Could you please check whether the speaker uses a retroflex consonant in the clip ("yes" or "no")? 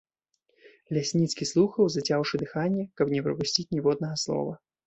yes